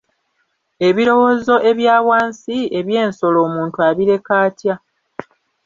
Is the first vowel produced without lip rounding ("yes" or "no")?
yes